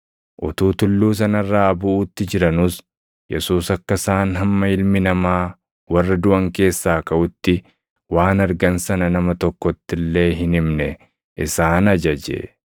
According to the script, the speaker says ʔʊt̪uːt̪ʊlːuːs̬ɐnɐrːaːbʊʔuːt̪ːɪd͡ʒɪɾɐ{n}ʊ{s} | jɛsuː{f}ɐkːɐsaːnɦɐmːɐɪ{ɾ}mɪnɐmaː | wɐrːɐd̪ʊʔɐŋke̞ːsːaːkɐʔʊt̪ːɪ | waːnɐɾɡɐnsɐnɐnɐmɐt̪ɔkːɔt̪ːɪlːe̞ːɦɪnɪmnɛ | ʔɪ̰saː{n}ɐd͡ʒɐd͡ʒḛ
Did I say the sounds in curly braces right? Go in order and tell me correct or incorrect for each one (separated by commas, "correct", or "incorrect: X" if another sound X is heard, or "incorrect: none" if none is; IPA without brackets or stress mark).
correct, correct, incorrect: s, incorrect: l, correct